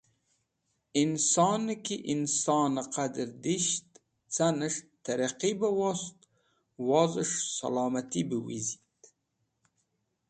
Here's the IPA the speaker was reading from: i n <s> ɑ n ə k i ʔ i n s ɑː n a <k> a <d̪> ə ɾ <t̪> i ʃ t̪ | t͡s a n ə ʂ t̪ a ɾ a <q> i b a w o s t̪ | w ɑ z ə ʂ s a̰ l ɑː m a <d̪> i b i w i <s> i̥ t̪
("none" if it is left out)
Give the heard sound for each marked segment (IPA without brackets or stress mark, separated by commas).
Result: s, q, d̪, d̪, q, t̪, z